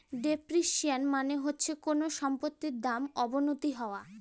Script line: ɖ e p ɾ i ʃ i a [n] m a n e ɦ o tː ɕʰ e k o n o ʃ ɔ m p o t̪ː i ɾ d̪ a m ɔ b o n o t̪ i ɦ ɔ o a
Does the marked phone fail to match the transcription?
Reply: no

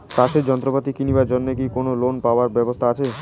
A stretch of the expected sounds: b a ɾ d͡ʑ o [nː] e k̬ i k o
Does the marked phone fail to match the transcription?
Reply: no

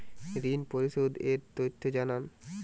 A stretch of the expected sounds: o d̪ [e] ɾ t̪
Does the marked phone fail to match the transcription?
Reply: no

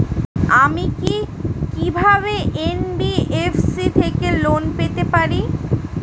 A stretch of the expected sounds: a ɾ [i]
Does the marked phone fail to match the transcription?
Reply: no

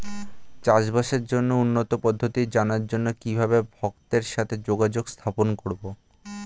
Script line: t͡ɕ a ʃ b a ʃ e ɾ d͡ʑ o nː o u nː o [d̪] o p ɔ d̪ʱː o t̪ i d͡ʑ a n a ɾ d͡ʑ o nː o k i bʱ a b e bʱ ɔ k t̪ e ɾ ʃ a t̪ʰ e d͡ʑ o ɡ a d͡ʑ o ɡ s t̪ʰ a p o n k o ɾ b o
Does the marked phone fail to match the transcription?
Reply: yes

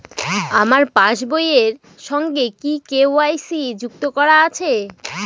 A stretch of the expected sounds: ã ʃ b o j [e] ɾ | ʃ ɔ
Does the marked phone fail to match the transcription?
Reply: no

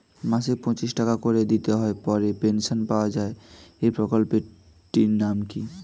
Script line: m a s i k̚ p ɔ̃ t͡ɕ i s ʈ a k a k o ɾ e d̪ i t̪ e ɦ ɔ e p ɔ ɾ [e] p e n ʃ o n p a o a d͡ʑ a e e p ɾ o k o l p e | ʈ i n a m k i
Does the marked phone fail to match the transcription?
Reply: no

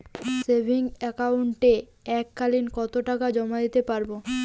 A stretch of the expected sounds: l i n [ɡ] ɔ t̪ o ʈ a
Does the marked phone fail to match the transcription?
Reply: yes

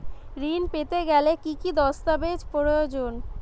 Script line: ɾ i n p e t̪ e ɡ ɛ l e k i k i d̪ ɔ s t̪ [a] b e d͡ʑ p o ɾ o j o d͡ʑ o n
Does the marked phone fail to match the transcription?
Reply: no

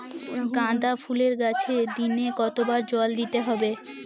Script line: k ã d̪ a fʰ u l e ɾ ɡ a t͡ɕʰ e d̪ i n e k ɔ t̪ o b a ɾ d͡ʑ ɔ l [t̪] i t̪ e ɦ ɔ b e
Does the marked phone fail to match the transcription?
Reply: yes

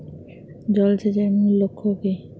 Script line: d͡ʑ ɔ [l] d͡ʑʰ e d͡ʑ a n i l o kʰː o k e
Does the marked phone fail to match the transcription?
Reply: no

